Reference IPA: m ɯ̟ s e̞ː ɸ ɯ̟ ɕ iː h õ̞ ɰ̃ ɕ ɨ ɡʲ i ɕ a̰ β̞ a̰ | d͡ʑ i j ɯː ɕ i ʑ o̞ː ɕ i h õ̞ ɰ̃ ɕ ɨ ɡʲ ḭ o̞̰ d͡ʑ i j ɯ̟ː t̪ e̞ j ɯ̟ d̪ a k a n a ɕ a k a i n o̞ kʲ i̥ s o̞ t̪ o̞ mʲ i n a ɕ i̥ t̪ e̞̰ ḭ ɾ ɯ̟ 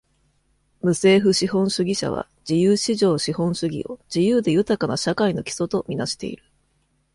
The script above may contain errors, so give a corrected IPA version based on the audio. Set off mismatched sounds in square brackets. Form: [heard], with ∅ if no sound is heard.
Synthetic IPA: m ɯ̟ s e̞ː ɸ ɯ̟ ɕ [i] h õ̞ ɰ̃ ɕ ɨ ɡʲ i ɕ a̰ β̞ a̰ | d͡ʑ i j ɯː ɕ i ʑ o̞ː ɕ i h õ̞ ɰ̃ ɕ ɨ ɡʲ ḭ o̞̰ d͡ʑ i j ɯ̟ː [d̪] e̞ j ɯ̟ [t̪] a k a n a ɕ a k a i n o̞ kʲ i̥ s o̞ t̪ o̞ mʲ i n a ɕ i̥ t̪ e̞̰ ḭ ɾ ɯ̟